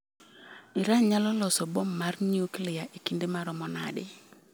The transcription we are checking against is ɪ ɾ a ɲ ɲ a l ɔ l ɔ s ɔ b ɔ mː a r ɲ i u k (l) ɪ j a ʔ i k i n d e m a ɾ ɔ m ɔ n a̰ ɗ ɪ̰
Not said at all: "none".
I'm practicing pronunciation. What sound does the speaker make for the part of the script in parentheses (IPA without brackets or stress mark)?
l